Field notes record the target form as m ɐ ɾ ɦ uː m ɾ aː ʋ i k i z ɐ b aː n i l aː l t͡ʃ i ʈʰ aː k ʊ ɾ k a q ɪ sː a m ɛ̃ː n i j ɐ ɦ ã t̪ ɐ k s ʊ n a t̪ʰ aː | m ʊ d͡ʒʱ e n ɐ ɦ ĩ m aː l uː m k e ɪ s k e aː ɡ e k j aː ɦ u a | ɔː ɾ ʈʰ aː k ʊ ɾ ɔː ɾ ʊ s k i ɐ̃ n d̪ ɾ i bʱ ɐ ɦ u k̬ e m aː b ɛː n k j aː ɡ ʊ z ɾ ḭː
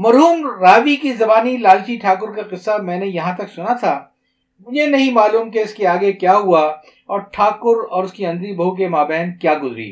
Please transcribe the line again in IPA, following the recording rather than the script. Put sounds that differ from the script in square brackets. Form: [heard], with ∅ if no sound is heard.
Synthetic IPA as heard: m ɐ ɾ ɦ uː m ɾ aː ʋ i k i z ɐ b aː n i l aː l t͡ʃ i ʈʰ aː k ʊ ɾ k a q ɪ sː a m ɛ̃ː n [e] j ɐ ɦ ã t̪ ɐ k s ʊ n a t̪ʰ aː | m ʊ d͡ʒʱ e n ɐ ɦ ĩ m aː l uː m k e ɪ s k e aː ɡ e k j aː ɦ u a | ɔː ɾ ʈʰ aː k ʊ ɾ ɔː ɾ ʊ s k i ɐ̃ n d̪ ɾ i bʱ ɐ ɦ u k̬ e m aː b ɛː n k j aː ɡ ʊ z ɾ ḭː